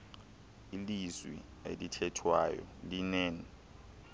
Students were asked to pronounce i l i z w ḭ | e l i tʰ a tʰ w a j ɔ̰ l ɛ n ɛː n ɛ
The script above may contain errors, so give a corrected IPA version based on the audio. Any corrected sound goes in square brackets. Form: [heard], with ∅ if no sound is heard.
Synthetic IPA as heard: i l i z w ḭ | e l i tʰ [ɛ] tʰ w a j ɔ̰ l [i] n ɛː n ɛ